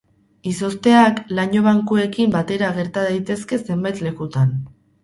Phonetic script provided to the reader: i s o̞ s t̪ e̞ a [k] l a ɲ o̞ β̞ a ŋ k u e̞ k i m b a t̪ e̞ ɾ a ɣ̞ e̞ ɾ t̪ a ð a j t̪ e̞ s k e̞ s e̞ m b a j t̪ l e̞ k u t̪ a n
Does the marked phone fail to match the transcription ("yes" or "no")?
no